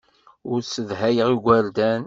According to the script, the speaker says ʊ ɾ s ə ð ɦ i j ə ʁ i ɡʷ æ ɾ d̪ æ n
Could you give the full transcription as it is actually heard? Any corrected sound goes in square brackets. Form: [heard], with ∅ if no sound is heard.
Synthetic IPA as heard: ʊ ɾ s ə ð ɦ [æ] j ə ʁ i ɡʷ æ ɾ d̪ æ n